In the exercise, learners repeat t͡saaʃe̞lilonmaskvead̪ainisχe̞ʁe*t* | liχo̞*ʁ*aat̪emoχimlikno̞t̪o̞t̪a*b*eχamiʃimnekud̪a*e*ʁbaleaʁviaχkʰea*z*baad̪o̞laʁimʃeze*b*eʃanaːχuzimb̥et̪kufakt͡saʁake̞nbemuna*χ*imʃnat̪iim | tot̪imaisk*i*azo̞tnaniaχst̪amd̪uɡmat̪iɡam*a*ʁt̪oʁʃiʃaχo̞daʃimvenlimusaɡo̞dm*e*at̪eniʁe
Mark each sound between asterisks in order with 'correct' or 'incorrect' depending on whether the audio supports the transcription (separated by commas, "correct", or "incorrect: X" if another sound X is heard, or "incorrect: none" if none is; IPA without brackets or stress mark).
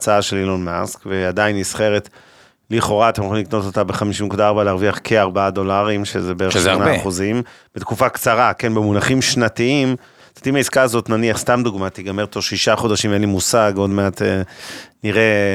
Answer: correct, correct, correct, incorrect: a, incorrect: ʁ, correct, correct, incorrect: a, incorrect: e, correct